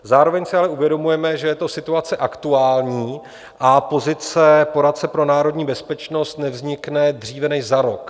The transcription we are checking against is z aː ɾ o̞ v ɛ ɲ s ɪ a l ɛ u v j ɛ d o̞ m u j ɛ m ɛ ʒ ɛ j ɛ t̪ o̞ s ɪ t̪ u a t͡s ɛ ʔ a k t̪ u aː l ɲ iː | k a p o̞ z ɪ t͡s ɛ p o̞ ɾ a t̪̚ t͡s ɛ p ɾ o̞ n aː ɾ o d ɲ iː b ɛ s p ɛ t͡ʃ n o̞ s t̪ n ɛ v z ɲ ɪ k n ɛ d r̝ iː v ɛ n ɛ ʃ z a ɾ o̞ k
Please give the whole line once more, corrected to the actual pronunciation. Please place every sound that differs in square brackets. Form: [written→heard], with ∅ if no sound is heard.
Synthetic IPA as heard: z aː ɾ o̞ v ɛ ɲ s ɪ a l ɛ u v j ɛ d o̞ m u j ɛ m ɛ ʒ ɛ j ɛ t̪ o̞ s ɪ t̪ u a t͡s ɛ ʔ a k t̪ u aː l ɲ iː | [k→ʔ] a p o̞ z ɪ t͡s ɛ p o̞ ɾ a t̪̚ t͡s ɛ p ɾ o̞ n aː ɾ o d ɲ iː b ɛ s p ɛ t͡ʃ n o̞ s t̪ n ɛ v z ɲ ɪ k n ɛ d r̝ iː v ɛ n ɛ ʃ z a ɾ o̞ k